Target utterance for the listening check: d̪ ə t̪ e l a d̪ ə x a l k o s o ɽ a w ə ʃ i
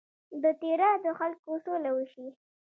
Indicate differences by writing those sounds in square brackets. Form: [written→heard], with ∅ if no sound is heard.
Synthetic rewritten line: d̪ ə t̪ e [l→ɾ] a d̪ ə x a l k o s o [ɽ→l] a w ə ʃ i